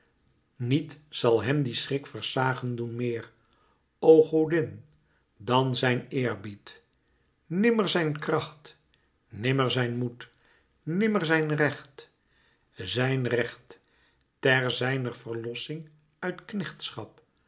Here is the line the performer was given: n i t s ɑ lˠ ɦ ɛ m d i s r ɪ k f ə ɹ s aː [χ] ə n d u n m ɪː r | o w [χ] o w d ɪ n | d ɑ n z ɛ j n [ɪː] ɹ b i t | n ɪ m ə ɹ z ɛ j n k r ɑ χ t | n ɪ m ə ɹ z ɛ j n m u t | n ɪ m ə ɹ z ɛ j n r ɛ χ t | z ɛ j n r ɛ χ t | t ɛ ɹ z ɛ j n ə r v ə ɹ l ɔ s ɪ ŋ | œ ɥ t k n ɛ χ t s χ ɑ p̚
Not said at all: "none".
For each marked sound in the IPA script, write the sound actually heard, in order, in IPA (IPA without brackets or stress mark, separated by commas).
χ, χ, ɪː